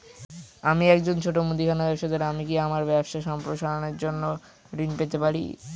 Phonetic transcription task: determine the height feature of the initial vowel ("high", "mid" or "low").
low